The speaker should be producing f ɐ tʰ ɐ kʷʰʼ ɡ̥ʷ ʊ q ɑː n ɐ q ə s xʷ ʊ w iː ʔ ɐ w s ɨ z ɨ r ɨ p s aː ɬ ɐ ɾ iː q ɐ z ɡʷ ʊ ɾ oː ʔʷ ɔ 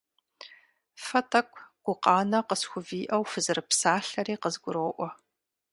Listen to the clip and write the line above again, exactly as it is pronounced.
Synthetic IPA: f ɐ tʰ ɐ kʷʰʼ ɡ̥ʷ ʊ q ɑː n ɐ q ə s xʷ ʊ v iː ʔ ɐ w f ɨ z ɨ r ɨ p s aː ɬ ɐ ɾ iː q ə z ɡʷ ʊ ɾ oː ʔʷ ɔ